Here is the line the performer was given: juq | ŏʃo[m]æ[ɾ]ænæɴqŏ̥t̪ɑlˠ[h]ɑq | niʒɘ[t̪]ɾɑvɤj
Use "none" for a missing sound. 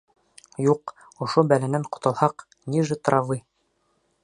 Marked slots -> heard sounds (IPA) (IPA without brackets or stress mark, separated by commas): b, l, h, t̪